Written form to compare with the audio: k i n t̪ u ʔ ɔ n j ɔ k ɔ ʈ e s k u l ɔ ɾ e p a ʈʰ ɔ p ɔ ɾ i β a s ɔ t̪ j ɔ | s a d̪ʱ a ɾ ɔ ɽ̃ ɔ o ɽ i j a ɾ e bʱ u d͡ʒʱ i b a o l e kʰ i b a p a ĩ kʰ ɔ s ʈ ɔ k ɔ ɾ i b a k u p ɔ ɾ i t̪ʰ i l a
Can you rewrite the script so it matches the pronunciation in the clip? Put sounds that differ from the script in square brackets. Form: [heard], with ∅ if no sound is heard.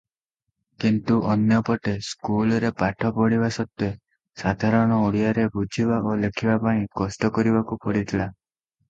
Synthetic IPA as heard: k i n t̪ u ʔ ɔ n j ɔ [p] ɔ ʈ e s k u l ɔ ɾ e p a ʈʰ ɔ p ɔ [ɽ] i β a s ɔ t̪ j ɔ | s a d̪ʱ a ɾ ɔ ɽ̃ ɔ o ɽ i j a ɾ e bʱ u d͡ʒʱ i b a o l e kʰ i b a p a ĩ [k] ɔ s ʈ ɔ k ɔ ɾ i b a k u p ɔ [ɽ] i t̪ʰ i l a